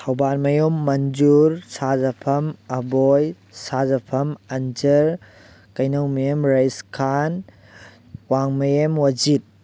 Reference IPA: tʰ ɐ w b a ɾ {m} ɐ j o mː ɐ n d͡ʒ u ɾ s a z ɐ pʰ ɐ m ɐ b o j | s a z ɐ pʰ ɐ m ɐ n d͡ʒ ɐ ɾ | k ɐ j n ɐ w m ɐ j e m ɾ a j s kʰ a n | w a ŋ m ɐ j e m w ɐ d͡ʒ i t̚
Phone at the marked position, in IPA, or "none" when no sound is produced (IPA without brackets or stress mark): m